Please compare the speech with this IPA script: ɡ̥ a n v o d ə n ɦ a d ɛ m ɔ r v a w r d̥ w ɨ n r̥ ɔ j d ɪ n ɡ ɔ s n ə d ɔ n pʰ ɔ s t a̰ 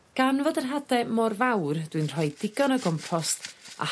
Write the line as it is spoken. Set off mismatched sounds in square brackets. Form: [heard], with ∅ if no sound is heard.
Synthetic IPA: ɡ̥ a n v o d ə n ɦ a d ɛ m ɔ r v a w r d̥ w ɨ n r̥ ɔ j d ɪ [∅] ɡ ɔ [∅] n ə [ɡ] ɔ [m] pʰ ɔ s t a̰